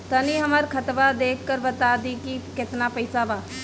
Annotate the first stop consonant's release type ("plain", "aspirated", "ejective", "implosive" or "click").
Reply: plain